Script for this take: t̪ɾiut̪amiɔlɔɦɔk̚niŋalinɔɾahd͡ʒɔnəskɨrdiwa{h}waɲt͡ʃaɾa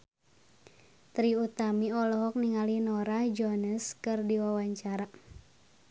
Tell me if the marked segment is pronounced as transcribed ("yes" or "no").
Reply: no